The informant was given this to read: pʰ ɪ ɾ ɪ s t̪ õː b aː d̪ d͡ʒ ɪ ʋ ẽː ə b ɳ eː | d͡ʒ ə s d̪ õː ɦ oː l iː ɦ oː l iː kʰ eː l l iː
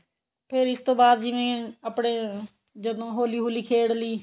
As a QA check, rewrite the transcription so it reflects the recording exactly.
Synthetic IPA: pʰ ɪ ɾ ɪ s t̪ õː b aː d̪ d͡ʒ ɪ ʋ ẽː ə p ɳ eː | d͡ʒ ə d̪ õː ɦ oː l iː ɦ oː l iː kʰ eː ɽ l iː